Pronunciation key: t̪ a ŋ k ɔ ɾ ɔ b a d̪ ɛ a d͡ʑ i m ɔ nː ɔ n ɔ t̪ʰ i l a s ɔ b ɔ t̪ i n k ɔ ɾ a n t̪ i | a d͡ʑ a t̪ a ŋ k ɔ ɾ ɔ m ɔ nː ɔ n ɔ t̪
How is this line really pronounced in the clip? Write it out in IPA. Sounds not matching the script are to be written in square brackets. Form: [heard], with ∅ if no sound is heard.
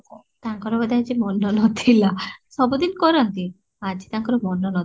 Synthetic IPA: t̪ a ŋ k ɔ ɾ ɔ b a d̪ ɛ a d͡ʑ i m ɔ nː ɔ n ɔ t̪ʰ i l a s ɔ b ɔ [d̪] i n k ɔ ɾ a n t̪ i | a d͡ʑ [i] t̪ a ŋ k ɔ ɾ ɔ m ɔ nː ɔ n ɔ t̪